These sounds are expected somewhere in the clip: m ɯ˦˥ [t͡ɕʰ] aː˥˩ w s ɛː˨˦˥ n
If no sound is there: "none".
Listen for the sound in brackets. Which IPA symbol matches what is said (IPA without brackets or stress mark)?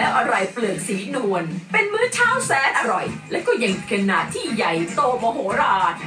t͡ɕʰ